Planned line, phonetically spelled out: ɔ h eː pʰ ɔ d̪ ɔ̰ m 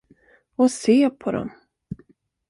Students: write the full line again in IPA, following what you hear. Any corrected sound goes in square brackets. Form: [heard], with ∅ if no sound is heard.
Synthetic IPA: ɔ [s] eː pʰ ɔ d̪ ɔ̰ m